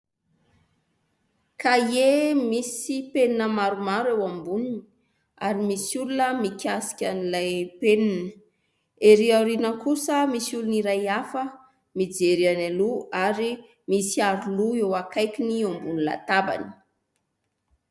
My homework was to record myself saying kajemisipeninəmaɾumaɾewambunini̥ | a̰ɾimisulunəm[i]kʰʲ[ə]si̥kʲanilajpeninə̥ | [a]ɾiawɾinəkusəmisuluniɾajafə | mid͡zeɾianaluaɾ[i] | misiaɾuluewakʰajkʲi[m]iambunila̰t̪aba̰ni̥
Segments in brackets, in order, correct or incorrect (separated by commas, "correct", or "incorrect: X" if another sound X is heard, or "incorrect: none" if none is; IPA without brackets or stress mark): correct, incorrect: a, incorrect: e, correct, incorrect: n